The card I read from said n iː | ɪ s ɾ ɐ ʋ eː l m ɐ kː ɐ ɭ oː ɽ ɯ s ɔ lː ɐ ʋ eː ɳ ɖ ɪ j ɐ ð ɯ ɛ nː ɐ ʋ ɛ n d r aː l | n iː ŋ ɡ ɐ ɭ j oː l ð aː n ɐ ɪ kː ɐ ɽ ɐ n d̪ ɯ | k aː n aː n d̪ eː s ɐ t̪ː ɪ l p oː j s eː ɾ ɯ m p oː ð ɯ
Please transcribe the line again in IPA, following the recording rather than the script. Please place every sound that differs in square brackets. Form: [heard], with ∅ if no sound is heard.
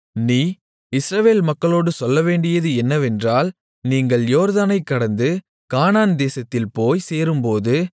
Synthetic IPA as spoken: n iː | ɪ s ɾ ɐ ʋ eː l m ɐ kː ɐ ɭ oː ɽ ɯ s ɔ lː ɐ ʋ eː ɳ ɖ ɪ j ɐ ð ɯ ɛ nː ɐ ʋ ɛ n d r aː l | n iː ŋ ɡ ɐ ɭ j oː [ɾ] ð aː n ɐ ɪ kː ɐ ɽ ɐ n d̪ ɯ | k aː n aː n d̪ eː s ɐ t̪ː ɪ l p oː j s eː ɾ ɯ m p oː ð ɯ